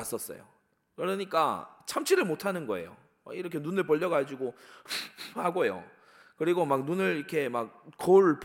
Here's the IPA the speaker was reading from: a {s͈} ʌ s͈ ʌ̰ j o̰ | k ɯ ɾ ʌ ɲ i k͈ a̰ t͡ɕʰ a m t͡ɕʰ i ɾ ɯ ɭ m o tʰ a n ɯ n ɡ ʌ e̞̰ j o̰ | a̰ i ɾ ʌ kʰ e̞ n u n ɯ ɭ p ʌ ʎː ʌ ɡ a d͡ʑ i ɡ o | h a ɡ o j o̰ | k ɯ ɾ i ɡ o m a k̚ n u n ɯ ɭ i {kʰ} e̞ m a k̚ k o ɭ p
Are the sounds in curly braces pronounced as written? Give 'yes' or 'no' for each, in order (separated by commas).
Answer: yes, yes